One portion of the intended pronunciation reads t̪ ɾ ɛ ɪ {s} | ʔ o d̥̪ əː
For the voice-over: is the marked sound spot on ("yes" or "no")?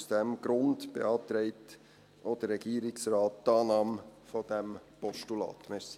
no